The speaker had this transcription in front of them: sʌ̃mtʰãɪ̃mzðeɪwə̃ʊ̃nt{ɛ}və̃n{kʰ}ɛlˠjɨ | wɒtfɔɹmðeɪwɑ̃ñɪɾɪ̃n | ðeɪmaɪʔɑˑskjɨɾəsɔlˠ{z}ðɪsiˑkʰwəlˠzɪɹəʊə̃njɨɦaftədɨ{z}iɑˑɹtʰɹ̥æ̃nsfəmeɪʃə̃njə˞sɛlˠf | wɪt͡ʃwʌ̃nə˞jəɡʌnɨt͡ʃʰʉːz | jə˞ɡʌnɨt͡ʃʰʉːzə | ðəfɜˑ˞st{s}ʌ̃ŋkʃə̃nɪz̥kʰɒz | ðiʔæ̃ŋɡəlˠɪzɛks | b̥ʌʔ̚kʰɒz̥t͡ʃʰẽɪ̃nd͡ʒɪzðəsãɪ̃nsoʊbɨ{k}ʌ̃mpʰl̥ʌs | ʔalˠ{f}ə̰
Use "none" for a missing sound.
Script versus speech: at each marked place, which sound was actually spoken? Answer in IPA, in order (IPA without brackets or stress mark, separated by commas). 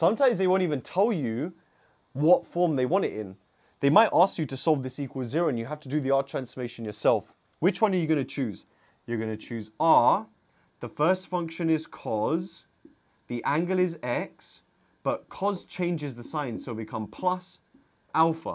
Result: i, tʰ, v, ð, f, kʰ, f